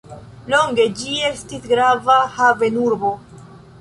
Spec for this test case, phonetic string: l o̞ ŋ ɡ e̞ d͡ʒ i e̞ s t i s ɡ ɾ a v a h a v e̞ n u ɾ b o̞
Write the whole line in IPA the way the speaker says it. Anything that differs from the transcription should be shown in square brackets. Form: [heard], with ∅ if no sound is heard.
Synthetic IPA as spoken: l o̞ ŋ ɡ e̞ d͡ʒ i e̞ s t i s ɡ ɾ a v a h a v e̞ n u ɾ b o̞